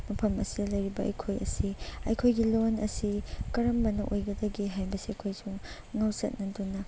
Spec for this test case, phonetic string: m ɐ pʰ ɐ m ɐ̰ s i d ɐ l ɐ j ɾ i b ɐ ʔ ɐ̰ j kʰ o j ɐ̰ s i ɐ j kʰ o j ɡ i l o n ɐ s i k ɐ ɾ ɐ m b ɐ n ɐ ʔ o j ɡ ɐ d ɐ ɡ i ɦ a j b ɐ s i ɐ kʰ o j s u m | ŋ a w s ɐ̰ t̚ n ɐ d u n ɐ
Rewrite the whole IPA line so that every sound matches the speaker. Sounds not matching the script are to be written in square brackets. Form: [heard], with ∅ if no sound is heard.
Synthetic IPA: m ɐ pʰ ɐ m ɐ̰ s i d ɐ l ɐ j ɾ i b ɐ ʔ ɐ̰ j kʰ o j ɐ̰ s i ɐ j kʰ o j ɡ i l o n ɐ s i k ɐ ɾ ɐ m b ɐ n ɐ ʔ o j ɡ ɐ d ɐ ɡ i ɦ a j b ɐ s i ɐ kʰ o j s u [ŋ] | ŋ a w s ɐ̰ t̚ n ɐ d u n ɐ